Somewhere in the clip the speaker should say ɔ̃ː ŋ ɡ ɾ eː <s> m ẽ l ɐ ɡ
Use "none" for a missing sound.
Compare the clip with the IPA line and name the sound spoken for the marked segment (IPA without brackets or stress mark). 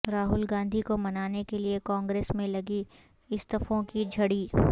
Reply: s